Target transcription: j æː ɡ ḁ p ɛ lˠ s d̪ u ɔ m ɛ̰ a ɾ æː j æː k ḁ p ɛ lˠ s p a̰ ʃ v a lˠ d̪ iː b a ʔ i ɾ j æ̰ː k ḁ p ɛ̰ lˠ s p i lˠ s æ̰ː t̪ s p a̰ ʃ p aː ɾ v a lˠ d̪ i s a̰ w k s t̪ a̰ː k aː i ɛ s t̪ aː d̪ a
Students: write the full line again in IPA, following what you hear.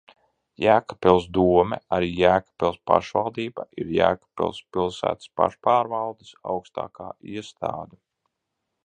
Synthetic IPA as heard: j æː k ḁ p ɛ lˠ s d̪ u ɔ m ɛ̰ a ɾ iː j æː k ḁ p ɛ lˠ s p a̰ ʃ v a lˠ d̪ iː b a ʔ i ɾ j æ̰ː k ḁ p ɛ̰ lˠ s p i lˠ s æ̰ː t̪ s p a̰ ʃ p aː ɾ v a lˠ d̪ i s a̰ w k s t̪ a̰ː k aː i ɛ s t̪ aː d̪ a